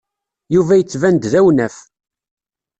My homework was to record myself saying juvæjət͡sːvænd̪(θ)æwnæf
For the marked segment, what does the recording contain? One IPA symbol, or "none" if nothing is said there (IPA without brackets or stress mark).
ð